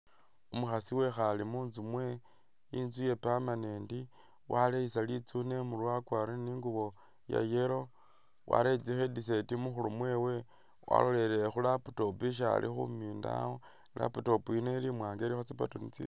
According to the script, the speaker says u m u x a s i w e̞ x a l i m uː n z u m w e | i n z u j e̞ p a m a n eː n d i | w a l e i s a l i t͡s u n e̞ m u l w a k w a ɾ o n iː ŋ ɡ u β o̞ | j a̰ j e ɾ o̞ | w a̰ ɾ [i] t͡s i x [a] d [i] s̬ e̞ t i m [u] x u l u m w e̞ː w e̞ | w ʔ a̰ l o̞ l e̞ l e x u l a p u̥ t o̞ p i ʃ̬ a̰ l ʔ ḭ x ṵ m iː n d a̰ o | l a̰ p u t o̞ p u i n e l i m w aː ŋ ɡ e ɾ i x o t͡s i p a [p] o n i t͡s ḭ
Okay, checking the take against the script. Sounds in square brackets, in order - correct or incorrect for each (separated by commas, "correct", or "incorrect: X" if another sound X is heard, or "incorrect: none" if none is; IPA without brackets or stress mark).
incorrect: e, incorrect: e, correct, correct, incorrect: t